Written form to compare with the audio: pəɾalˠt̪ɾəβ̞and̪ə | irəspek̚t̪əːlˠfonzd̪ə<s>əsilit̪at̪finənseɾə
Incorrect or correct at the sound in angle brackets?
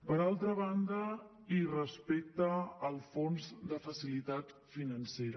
incorrect: f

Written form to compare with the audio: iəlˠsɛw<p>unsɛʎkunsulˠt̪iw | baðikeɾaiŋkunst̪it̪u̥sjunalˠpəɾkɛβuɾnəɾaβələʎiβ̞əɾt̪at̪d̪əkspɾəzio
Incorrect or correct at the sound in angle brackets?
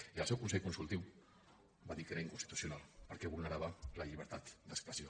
incorrect: k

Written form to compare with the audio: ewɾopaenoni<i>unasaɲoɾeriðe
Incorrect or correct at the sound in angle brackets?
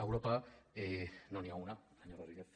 incorrect: a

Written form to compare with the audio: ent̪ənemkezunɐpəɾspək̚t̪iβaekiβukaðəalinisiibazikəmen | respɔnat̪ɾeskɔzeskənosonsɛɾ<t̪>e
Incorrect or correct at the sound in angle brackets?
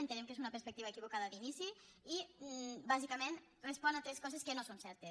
correct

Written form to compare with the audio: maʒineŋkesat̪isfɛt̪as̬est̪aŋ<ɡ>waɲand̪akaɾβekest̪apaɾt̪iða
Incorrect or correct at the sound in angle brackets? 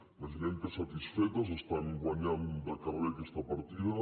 correct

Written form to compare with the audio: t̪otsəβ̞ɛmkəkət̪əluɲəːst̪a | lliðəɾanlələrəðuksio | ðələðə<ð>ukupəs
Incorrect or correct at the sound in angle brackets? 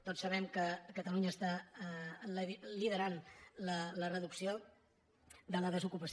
incorrect: z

